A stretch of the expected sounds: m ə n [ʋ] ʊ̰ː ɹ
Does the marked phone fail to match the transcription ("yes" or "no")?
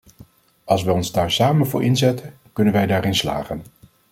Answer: yes